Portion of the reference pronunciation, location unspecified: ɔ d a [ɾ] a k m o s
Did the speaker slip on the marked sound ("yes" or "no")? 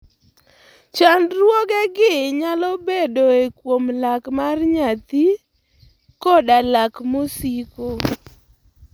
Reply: yes